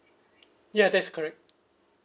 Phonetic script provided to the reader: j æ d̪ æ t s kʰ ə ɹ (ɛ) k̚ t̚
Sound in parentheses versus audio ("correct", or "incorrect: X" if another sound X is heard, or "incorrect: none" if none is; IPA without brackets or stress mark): correct